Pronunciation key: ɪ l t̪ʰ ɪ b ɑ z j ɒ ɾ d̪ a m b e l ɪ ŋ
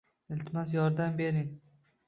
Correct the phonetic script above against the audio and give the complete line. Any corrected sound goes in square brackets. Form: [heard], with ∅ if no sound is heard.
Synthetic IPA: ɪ l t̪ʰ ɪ [m] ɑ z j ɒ ɾ d̪ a m b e [ɾ] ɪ ŋ